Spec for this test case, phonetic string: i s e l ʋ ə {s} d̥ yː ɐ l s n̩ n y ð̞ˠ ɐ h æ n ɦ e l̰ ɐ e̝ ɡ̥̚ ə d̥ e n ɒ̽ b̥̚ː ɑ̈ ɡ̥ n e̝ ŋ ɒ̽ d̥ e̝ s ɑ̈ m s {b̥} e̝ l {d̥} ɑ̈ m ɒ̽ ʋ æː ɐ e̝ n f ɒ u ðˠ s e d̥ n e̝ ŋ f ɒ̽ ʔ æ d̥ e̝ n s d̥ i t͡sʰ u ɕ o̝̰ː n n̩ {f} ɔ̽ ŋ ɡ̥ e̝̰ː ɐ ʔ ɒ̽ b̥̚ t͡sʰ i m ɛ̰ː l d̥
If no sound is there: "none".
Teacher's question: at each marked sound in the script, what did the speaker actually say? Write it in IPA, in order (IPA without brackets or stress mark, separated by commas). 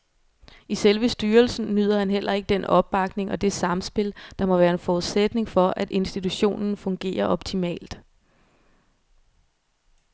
s, b̥, d̥, f